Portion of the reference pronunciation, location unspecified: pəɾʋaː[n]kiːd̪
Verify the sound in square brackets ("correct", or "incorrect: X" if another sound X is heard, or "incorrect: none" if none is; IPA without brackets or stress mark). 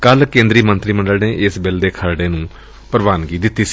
correct